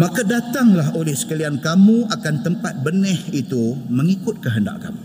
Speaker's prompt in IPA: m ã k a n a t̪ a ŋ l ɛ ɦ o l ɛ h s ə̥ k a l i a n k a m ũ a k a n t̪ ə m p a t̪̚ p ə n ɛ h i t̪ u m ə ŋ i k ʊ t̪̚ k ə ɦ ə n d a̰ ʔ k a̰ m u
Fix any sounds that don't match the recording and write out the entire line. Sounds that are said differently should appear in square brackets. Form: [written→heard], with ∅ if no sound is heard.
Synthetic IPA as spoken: m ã k a [n→d] a t̪ a ŋ l [ɛ→a] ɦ o l ɛ h s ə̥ k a l i a n k a m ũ a k a n t̪ ə m p a t̪̚ [p→b] ə n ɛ h i t̪ u m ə ŋ i k ʊ t̪̚ k ə ɦ ə n d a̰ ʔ k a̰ m u